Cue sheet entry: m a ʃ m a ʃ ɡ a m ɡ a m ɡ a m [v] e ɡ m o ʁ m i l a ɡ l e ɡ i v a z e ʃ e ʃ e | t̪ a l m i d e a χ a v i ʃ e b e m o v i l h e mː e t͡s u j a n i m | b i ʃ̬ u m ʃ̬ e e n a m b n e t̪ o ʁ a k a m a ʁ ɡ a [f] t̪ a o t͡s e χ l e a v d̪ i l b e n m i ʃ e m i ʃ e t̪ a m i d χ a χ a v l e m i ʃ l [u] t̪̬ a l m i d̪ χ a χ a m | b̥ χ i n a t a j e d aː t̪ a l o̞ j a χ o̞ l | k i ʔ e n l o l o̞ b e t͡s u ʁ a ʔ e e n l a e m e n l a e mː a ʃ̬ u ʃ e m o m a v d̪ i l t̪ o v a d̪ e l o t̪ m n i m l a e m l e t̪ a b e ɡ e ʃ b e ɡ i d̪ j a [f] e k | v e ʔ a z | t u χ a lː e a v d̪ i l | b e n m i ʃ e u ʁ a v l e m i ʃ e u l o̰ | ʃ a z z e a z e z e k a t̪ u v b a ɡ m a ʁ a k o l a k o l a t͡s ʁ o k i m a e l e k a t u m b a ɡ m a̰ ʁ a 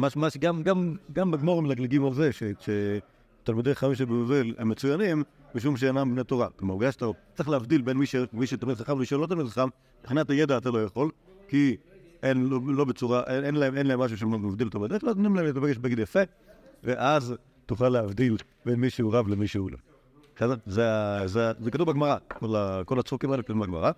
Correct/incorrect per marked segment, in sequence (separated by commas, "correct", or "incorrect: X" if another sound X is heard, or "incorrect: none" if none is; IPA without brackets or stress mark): incorrect: b, incorrect: ʃ, incorrect: o, correct